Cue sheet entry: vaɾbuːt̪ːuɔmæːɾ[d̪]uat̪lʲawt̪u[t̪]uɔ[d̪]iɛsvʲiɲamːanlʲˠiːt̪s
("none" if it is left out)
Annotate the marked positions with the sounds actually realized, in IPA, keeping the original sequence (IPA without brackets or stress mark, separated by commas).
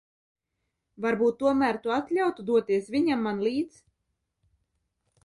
t̪, d̪, t̪